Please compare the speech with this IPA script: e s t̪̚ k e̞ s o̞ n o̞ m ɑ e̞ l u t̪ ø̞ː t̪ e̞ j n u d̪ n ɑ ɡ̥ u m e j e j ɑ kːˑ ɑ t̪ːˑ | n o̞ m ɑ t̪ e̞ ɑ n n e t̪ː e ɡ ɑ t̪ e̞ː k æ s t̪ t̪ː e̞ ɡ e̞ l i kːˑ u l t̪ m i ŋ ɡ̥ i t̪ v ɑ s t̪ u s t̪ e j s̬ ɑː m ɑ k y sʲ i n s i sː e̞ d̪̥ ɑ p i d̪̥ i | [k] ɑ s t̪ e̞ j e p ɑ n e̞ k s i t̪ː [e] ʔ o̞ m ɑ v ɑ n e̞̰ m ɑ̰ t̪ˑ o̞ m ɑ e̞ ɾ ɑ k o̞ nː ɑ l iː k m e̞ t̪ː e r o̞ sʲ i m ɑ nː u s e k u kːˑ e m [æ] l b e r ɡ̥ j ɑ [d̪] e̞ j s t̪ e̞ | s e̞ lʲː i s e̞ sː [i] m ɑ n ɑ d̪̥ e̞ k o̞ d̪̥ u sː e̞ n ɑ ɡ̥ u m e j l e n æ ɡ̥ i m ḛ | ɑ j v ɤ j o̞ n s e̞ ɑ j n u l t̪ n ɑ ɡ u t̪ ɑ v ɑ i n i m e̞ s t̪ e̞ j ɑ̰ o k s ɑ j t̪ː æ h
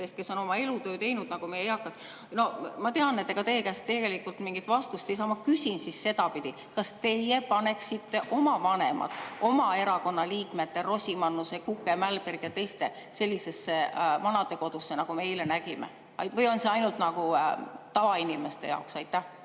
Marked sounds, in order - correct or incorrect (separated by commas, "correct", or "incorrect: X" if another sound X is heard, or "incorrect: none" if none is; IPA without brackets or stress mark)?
correct, correct, correct, incorrect: t̪, incorrect: e